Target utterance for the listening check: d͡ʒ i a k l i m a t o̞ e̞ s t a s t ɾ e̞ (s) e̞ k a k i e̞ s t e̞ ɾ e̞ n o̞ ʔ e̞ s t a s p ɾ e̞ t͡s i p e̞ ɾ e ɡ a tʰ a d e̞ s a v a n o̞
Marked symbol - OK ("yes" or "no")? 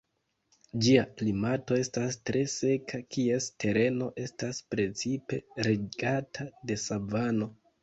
yes